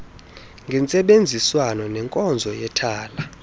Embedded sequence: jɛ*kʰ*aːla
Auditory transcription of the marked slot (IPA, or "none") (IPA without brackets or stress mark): tʰ